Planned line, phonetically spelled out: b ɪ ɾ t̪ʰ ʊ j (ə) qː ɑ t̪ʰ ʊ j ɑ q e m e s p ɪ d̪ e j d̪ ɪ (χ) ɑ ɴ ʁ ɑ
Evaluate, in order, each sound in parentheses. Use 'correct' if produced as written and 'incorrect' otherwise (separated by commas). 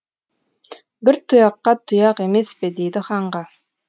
incorrect, correct